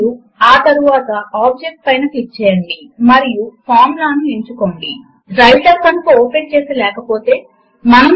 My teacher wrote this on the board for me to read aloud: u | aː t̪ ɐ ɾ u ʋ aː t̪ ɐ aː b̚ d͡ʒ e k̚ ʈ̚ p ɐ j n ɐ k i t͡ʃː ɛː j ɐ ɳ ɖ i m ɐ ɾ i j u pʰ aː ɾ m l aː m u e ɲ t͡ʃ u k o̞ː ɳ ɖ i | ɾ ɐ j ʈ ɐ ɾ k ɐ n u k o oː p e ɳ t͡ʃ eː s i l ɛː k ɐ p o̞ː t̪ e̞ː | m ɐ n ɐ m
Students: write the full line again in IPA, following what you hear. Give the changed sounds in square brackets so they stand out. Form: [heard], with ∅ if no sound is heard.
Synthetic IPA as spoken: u | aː t̪ ɐ ɾ u ʋ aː t̪ ɐ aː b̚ d͡ʒ e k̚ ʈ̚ p ɐ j n ɐ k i t͡ʃː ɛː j ɐ ɳ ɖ i m ɐ ɾ i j u pʰ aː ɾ m l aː [n] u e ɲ t͡ʃ u k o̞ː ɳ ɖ i | ɾ ɐ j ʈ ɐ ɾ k ɐ n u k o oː p e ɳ t͡ʃ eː s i l ɛː k ɐ p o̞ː t̪ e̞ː | m ɐ n ɐ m